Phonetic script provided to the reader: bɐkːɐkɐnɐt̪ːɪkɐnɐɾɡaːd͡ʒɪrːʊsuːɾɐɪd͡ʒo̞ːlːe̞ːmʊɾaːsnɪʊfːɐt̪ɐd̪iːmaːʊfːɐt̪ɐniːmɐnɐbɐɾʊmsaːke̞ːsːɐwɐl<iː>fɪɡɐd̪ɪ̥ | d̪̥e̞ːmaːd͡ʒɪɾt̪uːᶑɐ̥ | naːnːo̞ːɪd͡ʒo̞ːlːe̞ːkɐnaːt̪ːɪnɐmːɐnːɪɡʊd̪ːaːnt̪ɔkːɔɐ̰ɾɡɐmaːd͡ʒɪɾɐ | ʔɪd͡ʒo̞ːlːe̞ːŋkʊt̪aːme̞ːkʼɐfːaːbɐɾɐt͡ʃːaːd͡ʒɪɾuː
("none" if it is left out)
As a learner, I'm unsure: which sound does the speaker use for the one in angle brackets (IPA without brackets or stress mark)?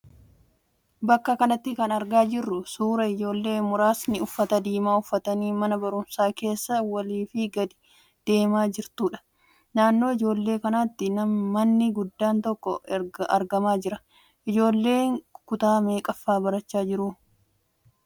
iː